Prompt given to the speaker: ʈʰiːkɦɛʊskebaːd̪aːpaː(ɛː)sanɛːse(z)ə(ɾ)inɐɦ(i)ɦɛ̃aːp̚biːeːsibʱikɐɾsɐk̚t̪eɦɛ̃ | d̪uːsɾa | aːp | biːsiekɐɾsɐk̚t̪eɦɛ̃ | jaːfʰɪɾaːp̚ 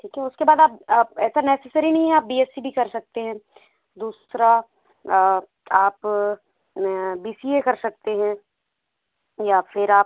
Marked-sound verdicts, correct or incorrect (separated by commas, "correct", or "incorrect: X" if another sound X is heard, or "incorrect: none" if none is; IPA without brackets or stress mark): correct, incorrect: s, correct, incorrect: ĩ